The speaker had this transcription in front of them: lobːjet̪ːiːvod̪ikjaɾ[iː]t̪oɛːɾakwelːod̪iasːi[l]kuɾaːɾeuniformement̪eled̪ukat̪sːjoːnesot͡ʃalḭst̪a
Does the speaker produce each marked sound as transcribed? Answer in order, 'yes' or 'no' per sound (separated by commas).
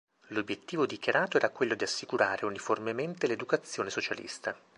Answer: no, no